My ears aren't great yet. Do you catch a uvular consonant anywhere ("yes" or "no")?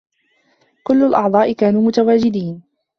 no